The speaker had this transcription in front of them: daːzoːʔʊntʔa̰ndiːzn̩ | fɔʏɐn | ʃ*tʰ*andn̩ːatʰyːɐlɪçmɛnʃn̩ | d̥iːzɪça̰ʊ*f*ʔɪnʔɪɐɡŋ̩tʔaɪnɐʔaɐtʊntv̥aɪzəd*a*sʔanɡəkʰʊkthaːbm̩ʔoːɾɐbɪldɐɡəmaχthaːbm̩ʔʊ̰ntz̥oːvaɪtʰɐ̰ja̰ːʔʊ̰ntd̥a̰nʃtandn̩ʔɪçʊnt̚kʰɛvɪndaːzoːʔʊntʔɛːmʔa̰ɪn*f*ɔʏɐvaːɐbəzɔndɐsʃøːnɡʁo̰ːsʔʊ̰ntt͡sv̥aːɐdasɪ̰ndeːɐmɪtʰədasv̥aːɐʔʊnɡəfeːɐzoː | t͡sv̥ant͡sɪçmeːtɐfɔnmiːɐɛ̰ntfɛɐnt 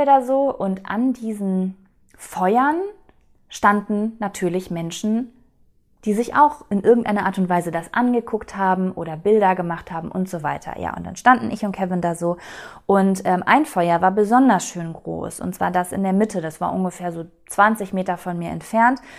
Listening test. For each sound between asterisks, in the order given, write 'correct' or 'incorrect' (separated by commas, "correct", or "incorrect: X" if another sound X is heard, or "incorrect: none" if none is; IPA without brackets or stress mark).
incorrect: t, incorrect: x, correct, correct